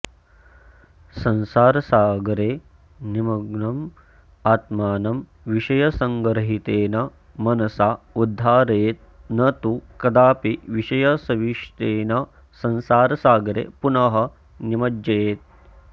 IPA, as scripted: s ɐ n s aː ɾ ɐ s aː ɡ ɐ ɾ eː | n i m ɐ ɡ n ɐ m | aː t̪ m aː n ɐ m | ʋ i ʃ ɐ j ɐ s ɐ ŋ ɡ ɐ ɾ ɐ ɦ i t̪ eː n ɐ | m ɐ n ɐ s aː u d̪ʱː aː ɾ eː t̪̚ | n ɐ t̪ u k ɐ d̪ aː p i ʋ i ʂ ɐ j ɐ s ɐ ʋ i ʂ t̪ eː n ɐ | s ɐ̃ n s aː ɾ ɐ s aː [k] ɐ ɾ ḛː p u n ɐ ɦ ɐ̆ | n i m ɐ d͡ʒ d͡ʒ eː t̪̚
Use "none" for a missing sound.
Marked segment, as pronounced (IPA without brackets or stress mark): ɡ